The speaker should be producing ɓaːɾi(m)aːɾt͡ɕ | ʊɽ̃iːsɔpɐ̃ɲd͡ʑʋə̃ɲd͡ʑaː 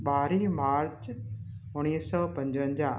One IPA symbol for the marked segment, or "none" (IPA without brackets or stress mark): m